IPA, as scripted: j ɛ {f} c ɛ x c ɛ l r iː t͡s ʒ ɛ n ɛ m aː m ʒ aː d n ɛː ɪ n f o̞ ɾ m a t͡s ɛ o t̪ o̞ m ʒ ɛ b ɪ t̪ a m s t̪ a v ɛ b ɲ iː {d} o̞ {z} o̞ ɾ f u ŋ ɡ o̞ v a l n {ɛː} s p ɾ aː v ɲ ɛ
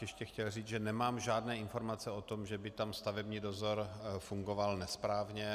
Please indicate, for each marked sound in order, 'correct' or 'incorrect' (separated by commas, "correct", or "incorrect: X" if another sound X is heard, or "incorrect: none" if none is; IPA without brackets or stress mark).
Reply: incorrect: ʃ, correct, correct, incorrect: ɛ